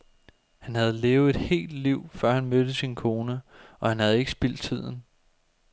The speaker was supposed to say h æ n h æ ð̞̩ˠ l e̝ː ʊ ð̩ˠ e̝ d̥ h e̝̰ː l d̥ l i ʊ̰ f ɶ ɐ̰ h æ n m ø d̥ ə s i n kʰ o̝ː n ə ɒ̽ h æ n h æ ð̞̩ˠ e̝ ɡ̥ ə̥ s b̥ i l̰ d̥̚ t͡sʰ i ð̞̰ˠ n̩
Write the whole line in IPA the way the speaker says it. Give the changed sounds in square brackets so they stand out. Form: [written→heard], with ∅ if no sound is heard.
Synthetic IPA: h æ n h æ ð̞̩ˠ l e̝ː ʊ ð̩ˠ e̝ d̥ h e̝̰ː l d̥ l i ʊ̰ f ɶ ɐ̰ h æ n m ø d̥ ə s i n kʰ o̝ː n ə ɒ̽ h æ n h æ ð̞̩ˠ e̝ ɡ̥ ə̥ s b̥ i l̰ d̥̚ t͡sʰ i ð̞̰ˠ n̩